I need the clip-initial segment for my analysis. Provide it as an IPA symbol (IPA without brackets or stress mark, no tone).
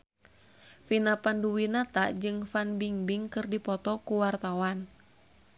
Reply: f